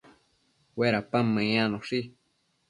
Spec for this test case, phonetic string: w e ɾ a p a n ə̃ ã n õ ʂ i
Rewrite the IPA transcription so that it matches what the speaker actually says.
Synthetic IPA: w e ɾ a p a m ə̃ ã n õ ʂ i